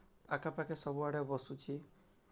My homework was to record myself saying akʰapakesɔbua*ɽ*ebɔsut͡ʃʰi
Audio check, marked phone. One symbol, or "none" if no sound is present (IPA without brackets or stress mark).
ɽ